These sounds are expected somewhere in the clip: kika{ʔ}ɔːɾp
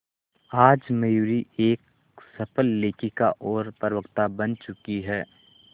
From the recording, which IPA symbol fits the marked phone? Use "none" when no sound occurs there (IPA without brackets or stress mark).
ʔ